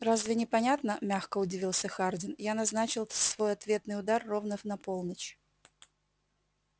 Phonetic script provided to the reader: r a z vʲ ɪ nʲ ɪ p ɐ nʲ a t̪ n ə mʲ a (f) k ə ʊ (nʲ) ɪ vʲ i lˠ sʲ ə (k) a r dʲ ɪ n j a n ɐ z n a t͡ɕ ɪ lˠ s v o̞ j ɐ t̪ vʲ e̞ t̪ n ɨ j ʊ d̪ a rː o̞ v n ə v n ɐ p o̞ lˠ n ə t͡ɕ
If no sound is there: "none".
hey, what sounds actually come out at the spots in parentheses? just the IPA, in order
x, dʲ, x

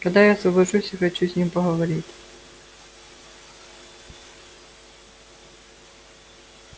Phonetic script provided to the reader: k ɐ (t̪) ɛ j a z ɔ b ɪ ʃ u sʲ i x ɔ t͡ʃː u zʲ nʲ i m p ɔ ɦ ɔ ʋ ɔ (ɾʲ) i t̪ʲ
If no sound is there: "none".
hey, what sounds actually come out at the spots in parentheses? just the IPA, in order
d̪, ɾʲ

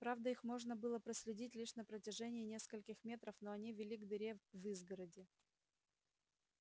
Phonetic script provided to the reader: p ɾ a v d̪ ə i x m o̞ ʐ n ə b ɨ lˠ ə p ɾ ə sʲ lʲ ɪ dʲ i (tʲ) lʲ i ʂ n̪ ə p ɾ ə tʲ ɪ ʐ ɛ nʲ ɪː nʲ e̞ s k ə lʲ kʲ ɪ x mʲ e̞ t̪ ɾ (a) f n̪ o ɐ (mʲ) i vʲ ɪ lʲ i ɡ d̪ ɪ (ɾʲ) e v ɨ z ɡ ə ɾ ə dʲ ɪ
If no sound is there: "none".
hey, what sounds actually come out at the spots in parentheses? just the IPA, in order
tʲ, ə, nʲ, ɾʲ

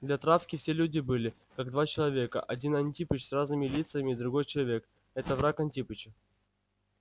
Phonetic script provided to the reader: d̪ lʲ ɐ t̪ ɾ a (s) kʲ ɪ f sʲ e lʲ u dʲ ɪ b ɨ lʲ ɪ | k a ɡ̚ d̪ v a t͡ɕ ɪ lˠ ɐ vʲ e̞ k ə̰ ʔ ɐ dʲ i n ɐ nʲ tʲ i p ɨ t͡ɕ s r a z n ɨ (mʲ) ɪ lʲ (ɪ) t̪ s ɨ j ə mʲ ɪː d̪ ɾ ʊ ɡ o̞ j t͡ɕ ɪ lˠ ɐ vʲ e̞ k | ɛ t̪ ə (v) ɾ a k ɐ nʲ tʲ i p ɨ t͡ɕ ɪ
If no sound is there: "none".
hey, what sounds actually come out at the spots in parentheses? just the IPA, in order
f, mʲ, i, v

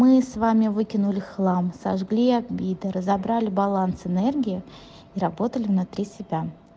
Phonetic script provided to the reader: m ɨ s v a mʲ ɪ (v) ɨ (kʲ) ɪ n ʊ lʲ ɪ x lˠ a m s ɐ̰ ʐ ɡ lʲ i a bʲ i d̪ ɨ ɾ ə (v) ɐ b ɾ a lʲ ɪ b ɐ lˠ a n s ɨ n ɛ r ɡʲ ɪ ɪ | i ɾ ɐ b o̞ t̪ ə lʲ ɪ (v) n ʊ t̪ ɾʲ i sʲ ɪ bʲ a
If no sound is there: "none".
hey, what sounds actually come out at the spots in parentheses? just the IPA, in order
v, kʲ, z, v

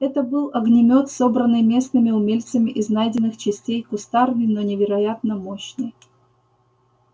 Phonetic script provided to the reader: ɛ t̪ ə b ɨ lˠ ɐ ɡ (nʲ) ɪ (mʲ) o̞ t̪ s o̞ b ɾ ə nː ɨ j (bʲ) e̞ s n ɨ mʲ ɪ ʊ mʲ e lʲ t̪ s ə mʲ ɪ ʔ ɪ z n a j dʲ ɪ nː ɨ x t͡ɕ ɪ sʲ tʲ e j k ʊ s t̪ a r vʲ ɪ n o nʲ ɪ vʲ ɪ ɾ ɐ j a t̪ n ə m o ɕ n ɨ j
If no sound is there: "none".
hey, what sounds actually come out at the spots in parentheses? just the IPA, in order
nʲ, mʲ, mʲ

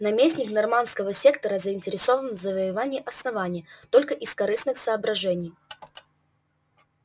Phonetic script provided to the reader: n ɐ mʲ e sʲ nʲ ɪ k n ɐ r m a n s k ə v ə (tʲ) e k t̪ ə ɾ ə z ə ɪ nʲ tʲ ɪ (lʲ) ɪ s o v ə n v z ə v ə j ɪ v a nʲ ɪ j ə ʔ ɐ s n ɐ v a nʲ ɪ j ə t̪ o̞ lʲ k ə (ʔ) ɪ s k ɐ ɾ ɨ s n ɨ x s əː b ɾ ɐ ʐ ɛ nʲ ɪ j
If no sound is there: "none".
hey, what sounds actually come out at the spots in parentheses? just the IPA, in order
sʲ, ɾʲ, ʔ

